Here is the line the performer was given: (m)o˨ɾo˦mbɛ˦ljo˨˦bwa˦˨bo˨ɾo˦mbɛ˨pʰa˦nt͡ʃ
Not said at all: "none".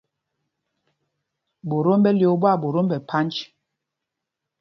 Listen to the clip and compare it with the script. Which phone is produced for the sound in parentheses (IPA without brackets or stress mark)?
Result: b